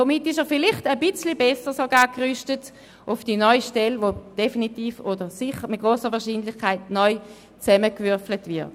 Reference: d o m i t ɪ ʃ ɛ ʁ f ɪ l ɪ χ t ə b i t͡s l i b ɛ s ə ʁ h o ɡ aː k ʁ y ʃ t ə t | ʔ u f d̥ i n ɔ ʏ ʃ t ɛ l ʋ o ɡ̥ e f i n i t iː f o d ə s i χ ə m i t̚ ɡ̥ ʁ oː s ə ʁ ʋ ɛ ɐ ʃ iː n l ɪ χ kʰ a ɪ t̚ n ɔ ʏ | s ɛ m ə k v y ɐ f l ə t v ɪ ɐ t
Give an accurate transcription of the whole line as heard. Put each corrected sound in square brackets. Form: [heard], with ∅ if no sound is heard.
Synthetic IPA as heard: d o m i t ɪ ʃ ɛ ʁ f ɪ l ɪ χ t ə b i t͡s l i b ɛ s ə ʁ [s] o ɡ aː k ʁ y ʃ t ə t | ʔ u f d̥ i n ɔ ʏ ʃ t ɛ l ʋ o [d̥] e f i n i t iː f o d ə s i χ ə m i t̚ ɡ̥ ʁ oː s ə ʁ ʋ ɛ ɐ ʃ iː n l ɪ χ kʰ a ɪ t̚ n ɔ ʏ | [t͡s] ɛ m ə k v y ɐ f l ə t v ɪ ɐ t